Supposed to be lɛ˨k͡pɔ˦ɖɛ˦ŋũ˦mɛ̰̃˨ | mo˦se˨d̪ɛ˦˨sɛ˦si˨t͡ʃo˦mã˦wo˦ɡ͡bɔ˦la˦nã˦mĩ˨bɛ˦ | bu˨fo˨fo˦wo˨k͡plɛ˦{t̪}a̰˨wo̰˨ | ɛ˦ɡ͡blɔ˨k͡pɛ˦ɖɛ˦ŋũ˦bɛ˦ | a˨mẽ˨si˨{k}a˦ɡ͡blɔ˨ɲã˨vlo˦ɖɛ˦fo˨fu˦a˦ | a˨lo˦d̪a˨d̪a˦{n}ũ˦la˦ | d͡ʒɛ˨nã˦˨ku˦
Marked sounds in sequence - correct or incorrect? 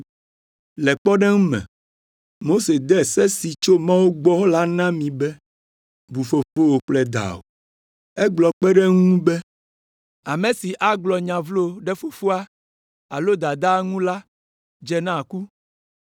incorrect, incorrect, incorrect

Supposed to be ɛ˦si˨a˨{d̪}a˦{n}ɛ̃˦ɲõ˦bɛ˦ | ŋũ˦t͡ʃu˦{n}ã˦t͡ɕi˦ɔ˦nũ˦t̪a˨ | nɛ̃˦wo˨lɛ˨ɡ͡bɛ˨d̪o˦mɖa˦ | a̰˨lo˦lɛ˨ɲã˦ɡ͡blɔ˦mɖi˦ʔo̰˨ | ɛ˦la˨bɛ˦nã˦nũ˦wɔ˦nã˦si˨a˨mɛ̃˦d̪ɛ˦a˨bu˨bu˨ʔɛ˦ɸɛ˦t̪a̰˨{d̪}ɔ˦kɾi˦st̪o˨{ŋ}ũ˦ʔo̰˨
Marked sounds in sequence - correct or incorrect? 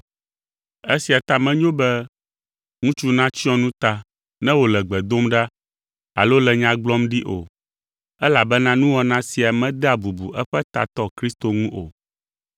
incorrect, incorrect, correct, incorrect, correct

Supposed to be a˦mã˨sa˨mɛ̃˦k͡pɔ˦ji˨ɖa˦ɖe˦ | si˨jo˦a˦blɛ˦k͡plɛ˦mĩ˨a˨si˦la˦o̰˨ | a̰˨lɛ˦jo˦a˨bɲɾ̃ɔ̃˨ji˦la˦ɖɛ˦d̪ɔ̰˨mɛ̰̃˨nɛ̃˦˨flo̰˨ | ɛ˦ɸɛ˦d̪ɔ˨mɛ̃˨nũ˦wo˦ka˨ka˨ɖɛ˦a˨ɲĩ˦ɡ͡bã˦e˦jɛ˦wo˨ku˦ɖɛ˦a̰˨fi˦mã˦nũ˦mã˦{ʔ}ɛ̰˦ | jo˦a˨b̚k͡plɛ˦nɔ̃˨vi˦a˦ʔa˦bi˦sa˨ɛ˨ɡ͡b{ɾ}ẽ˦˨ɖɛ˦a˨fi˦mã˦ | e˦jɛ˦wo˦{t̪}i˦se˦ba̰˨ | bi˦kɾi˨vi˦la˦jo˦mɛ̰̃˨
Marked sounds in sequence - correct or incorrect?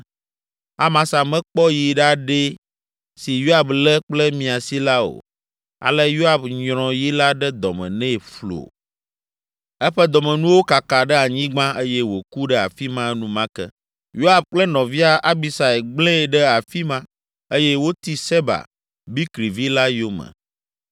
incorrect, incorrect, correct

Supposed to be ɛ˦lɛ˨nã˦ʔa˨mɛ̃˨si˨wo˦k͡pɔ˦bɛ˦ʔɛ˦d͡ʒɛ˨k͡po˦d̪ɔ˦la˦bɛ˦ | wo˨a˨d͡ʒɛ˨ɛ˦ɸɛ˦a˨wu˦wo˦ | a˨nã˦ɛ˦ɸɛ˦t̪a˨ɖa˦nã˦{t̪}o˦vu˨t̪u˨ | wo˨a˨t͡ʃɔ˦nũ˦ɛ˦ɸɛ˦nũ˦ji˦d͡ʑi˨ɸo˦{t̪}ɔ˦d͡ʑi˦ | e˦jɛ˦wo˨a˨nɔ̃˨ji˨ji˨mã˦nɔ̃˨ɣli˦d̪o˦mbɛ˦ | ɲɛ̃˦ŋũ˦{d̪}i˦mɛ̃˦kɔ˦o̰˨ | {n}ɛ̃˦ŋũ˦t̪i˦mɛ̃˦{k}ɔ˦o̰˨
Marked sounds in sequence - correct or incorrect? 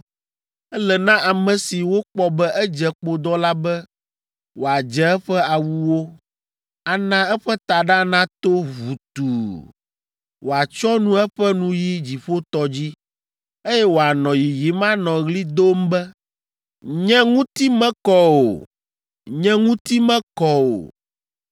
correct, correct, incorrect, incorrect, correct

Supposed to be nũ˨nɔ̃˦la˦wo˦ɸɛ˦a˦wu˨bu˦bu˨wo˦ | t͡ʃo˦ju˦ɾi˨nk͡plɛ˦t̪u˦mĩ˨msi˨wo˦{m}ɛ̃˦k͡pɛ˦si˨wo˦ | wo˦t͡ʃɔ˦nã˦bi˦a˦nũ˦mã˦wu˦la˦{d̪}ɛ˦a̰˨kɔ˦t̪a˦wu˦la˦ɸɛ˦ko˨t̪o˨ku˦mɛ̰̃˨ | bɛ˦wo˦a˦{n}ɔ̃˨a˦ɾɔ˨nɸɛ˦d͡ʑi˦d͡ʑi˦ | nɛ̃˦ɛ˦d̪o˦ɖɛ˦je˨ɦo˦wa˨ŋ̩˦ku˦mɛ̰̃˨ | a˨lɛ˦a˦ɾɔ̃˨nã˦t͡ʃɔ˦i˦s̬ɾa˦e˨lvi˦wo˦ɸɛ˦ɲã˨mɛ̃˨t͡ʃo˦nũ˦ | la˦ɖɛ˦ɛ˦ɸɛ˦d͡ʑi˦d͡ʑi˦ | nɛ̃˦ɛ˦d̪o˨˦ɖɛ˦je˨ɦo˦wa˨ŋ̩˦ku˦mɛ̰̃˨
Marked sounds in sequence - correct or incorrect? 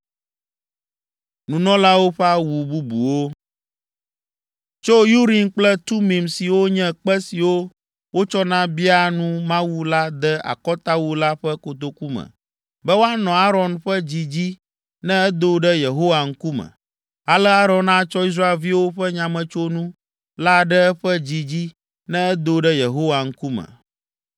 incorrect, correct, correct

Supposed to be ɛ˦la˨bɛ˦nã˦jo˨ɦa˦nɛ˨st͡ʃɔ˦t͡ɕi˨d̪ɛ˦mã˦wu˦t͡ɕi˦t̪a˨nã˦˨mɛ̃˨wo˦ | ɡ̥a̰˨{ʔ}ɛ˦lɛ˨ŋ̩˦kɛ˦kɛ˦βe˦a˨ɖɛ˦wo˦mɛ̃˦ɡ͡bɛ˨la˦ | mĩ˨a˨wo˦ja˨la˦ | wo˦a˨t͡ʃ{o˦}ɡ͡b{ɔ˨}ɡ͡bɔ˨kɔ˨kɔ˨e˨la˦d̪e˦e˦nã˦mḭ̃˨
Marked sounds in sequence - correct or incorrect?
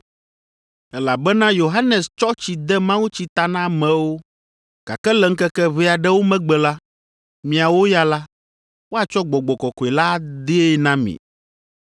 incorrect, incorrect, correct

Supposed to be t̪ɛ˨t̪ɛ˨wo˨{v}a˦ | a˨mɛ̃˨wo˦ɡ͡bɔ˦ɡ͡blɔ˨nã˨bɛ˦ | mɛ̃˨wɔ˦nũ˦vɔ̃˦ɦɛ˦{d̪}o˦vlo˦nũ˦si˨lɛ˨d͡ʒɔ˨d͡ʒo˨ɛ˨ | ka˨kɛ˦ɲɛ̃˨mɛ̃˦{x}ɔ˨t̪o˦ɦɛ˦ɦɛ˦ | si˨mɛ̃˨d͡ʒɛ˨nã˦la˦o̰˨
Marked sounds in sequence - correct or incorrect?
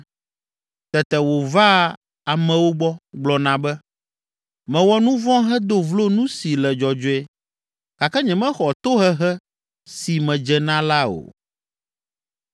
correct, correct, correct

